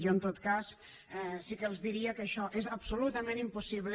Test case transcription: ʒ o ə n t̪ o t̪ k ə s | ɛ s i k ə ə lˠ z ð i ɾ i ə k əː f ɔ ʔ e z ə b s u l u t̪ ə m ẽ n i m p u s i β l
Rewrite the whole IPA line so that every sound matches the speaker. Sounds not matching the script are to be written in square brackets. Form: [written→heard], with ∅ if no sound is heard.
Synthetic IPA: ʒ o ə n t̪ o t̪ k [ə→a] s | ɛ s i k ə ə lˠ z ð i ɾ i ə k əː [f→ʃ] ɔ ʔ e z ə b s u l u t̪ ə m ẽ n i m p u s i β l